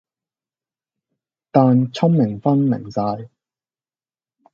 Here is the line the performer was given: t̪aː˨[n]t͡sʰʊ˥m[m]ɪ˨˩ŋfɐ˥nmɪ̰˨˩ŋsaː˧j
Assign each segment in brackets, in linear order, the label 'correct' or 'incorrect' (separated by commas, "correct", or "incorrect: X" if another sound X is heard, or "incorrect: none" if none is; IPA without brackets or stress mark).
correct, correct